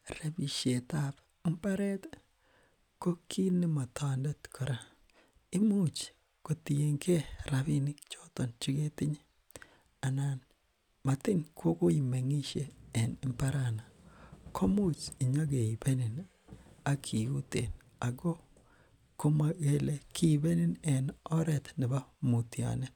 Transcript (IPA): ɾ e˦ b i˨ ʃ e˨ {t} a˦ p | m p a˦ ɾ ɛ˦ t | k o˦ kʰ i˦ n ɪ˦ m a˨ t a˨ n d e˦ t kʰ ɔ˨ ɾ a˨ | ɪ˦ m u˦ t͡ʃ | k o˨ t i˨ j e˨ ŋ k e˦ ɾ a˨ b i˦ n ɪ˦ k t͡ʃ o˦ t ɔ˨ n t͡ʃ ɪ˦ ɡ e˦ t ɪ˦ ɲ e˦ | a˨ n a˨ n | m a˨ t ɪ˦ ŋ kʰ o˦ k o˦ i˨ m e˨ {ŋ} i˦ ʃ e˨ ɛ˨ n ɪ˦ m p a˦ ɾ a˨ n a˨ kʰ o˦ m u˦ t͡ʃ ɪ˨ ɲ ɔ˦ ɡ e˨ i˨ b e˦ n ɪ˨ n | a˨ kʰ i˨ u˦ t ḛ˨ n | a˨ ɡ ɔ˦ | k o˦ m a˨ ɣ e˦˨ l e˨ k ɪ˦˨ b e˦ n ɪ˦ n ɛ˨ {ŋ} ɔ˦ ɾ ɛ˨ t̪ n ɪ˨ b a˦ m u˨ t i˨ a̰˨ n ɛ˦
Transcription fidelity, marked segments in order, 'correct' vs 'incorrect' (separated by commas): correct, correct, incorrect